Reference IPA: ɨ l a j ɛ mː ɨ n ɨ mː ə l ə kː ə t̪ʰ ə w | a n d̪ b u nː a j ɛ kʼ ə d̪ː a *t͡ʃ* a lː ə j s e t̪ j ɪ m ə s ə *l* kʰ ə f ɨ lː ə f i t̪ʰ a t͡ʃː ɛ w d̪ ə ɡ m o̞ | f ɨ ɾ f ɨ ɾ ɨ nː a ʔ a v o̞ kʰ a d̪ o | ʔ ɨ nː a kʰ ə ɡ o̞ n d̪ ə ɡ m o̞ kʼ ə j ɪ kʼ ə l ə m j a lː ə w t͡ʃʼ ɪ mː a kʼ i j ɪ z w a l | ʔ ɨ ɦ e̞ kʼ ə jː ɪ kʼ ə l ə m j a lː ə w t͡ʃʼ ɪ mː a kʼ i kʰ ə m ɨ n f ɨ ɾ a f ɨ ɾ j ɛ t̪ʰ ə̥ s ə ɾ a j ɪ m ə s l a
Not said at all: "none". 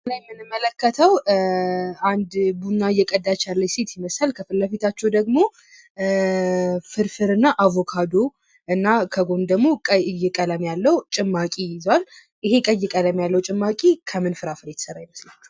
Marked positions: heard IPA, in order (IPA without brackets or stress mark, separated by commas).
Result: t͡ʃ, l